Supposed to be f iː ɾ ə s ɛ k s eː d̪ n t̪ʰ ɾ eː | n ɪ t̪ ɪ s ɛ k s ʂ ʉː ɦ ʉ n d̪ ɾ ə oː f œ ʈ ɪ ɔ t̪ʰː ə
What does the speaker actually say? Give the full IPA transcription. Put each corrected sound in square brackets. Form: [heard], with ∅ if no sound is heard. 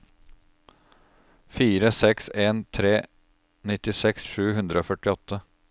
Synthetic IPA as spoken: f iː ɾ ə s ɛ k s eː [∅] n t̪ʰ ɾ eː | n ɪ t̪ ɪ s ɛ k s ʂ ʉː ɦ ʉ n d̪ ɾ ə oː f œ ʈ ɪ ɔ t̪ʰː ə